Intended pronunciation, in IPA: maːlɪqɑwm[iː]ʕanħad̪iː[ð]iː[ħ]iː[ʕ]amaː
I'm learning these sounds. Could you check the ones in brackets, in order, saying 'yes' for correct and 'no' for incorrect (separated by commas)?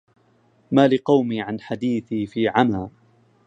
yes, no, no, yes